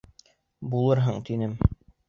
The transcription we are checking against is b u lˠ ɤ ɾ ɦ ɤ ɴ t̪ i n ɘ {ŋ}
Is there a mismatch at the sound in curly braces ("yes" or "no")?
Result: yes